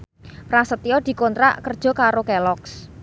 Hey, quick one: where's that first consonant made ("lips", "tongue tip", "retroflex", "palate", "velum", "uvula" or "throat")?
lips